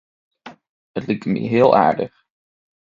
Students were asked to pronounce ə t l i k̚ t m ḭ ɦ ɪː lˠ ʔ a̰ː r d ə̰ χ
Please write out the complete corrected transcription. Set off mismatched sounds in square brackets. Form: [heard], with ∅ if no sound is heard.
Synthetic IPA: ə t l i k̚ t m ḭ ɦ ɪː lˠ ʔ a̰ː [ɹ] d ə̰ χ